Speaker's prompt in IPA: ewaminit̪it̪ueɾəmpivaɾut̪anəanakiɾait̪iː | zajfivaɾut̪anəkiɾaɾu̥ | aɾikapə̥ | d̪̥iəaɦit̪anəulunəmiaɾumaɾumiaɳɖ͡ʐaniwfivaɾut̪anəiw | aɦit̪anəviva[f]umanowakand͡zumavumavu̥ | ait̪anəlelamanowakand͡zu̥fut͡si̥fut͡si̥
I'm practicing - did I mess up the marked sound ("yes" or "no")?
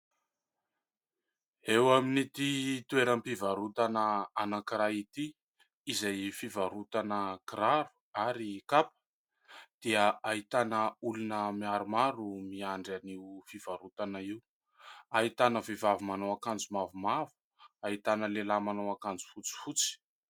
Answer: yes